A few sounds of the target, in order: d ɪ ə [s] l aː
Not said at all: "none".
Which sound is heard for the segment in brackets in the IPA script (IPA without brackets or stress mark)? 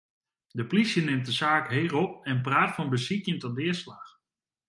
s